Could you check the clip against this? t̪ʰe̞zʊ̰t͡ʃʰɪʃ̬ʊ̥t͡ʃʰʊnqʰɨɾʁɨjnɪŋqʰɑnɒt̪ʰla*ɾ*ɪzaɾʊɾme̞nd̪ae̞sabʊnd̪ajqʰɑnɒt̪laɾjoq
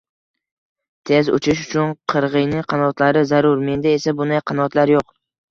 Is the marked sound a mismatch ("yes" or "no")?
no